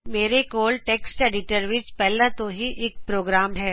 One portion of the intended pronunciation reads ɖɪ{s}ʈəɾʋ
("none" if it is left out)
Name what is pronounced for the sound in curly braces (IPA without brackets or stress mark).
none